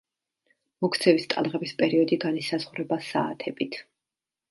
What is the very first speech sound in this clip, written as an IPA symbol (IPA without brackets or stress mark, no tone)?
m